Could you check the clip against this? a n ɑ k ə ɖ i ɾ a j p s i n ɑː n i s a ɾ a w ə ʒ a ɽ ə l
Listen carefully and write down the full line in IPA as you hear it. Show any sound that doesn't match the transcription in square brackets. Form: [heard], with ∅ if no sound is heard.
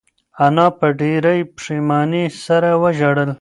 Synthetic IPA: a n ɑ [p] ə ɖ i ɾ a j p [ʂ] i [m] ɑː n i s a ɾ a w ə ʒ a ɽ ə l